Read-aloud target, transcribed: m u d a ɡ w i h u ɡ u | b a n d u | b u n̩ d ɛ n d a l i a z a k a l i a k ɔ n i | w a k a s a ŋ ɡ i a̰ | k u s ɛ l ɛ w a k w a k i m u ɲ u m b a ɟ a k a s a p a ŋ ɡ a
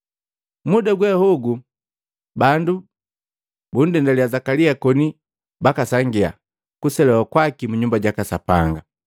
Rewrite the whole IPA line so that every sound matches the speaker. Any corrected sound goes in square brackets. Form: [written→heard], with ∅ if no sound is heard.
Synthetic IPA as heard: m u d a ɡ w [i→ɛ] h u ɡ u | b a n d u | b u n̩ d ɛ n d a l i a z a k a l i a k ɔ n i | [w→b] a k a s a ŋ ɡ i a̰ | k u s ɛ l ɛ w a k w a k i m u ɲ u m b a ɟ a k a s a p a ŋ ɡ a

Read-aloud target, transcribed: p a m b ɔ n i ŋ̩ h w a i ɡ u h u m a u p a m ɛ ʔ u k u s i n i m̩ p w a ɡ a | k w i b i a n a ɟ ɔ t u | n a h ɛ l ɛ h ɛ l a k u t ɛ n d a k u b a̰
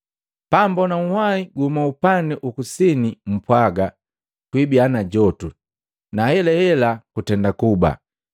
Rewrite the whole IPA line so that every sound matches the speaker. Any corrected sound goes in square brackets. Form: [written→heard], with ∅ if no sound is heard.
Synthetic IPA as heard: p a m b ɔ n [i→a] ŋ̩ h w a i ɡ u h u m a u p a [m→n] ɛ ʔ u k u s i n i m̩ p w a ɡ a | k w i b i a n a ɟ ɔ t u | n a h ɛ l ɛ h ɛ l a k u t ɛ n d a k u b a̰

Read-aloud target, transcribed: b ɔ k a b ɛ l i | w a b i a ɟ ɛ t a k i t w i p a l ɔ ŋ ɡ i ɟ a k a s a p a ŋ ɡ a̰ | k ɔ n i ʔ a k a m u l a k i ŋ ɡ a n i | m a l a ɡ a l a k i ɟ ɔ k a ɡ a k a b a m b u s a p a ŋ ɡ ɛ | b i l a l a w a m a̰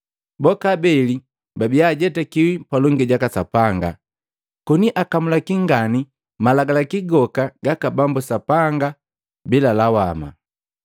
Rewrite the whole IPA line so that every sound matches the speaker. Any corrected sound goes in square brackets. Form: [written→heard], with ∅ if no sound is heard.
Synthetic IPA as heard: b ɔ k a b ɛ l i | [w→b] a b i a ɟ ɛ t a k i [t→∅] w i p a l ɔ ŋ ɡ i ɟ a k a s a p a ŋ ɡ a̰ | k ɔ n i ʔ a k a m u l a k i ŋ ɡ a n i | m a l a ɡ a l a k i [ɟ→ɡ] ɔ k a ɡ a k a b a m b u s a p a ŋ ɡ [ɛ→a] | b i l a l a w a m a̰

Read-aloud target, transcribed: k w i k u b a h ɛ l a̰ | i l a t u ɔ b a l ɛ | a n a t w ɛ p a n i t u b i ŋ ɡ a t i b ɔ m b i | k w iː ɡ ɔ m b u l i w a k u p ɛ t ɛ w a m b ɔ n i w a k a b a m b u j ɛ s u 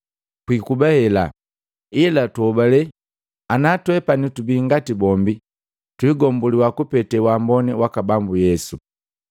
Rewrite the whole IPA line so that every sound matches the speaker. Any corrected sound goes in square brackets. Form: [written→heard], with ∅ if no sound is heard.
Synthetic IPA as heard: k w i k u b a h ɛ l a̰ | i l a t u ɔ b a l ɛ | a n a t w ɛ p a n i t u b i ŋ ɡ a t i b ɔ m b i | [k→t] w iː ɡ ɔ m b u l i w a k u p ɛ t ɛ w a m b ɔ n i w a k a b a m b u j ɛ s u

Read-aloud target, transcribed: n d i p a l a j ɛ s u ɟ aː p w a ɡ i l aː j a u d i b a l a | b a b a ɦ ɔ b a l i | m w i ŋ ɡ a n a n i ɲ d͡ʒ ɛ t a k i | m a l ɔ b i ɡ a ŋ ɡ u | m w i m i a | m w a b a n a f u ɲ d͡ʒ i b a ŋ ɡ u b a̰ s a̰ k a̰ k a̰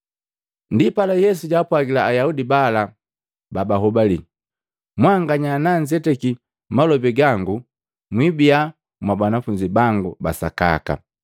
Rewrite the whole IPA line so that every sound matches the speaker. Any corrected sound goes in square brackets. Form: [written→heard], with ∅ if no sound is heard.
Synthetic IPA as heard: n d i p a l a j ɛ s u ɟ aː p w a ɡ i l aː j a u d i b a l a | b a b a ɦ ɔ b a l i | m w [i→a] ŋ ɡ a [n→ɲ] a n [i→a] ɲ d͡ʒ ɛ t [a→ɛ] k i | m a l ɔ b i ɡ a ŋ ɡ u | m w i [m→b] i a | m w a b a n a f u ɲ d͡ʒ i b a ŋ ɡ u b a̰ s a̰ k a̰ k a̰

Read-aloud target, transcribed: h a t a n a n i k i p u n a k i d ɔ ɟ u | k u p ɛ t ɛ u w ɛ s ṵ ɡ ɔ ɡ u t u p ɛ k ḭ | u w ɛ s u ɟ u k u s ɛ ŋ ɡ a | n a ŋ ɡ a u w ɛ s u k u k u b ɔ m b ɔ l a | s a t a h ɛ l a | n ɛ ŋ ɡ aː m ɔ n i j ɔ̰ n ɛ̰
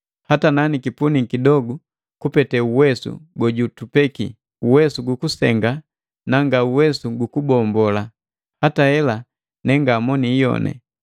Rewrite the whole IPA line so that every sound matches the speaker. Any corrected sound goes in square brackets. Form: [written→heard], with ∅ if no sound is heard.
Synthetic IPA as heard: h a t a n a n i k i p u n [a→i] k i d ɔ [ɟ→ɡ] u | k u p ɛ t ɛ u w ɛ s ṵ ɡ ɔ [ɡ→ɟ] u t u p ɛ k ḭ | u w ɛ s u [ɟ→ɡ] u k u s ɛ ŋ ɡ a | n a ŋ ɡ a u w ɛ s u [k→ɡ] u k u b ɔ m b ɔ l a | [s→h] a t a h ɛ l a | n ɛ ŋ ɡ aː m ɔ n i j ɔ̰ n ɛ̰

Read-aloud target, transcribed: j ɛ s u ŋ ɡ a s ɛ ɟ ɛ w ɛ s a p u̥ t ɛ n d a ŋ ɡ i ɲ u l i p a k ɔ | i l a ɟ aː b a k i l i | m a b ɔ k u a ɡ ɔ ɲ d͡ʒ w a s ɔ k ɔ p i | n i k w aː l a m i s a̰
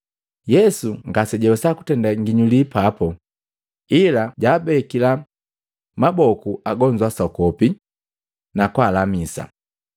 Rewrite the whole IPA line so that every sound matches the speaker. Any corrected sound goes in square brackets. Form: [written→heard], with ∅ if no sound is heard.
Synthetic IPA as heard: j ɛ s u ŋ ɡ a s ɛ ɟ ɛ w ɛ s a [p→k] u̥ t ɛ n d a ŋ ɡ i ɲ u l i p a [k→p] ɔ | i l a ɟ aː b [a→ɛ] k i l [i→a] | m a b ɔ k u a ɡ ɔ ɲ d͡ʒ w a s ɔ k ɔ p i | n [i→a] k w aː l a m i s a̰

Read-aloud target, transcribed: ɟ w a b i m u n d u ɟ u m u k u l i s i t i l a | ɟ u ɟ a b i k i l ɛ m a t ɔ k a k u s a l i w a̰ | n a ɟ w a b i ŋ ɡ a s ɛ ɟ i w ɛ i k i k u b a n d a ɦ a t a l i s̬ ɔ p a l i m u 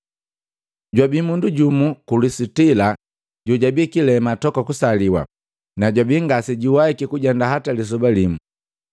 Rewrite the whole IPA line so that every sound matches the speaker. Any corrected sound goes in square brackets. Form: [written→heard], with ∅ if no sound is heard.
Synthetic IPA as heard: ɟ w a b i m u n d u ɟ u m u k u l i s i t i l a | ɟ u ɟ a b i k i l ɛ m a t ɔ k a k u s a l i w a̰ | n a ɟ w a b i ŋ ɡ a s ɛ ɟ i w [ɛ→a] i k i k u [b→ɟ] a n d a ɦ a t a l i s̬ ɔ [p→b] a l i m u

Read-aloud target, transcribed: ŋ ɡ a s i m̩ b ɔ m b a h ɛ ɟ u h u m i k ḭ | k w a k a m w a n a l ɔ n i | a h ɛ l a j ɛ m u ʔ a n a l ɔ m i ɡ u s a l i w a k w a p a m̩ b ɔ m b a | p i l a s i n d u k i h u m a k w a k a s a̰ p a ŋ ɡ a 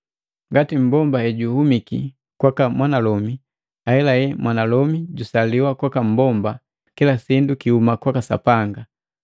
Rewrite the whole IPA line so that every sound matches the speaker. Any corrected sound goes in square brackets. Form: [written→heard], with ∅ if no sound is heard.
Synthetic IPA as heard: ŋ ɡ a [s→t] i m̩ b ɔ m b a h ɛ ɟ u h u m i k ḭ | k w a k a m w a n a l ɔ [n→m] i | a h ɛ l a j ɛ m [u→w] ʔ a n a l ɔ m i [ɡ→ɟ] u s a l i w a k w a [p→k] a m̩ b ɔ m b a | [p→k] i l a s i n d u k i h u m a k w a k a s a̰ p a ŋ ɡ a

